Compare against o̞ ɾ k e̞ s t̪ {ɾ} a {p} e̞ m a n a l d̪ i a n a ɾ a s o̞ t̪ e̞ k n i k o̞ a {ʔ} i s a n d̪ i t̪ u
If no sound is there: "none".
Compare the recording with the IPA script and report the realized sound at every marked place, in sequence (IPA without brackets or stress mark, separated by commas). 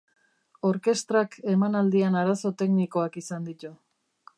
ɾ, k, k